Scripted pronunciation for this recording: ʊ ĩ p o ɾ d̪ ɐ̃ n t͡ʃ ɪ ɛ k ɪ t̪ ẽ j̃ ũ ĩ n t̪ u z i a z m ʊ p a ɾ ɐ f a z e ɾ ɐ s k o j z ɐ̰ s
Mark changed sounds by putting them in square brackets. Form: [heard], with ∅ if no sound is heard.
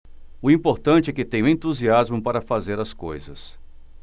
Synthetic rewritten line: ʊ ĩ p o ɾ [t̪] ɐ̃ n t͡ʃ ɪ ɛ k ɪ t̪ ẽ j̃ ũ [ẽ] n t̪ u z i a z m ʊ p a ɾ ɐ f a z e ɾ ɐ s k o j z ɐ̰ s